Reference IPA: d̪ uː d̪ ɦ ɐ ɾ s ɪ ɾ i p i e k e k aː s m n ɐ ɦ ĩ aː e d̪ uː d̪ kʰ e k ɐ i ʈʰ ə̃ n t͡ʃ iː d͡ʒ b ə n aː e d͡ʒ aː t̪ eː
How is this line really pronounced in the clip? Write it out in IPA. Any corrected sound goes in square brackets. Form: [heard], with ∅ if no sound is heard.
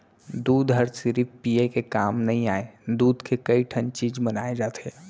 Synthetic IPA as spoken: d̪ uː d̪ ɦ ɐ ɾ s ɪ ɾ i p i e k e k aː [∅] m n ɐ ɦ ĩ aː e d̪ uː d̪ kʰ e k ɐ i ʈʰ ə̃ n t͡ʃ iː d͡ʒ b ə n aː e d͡ʒ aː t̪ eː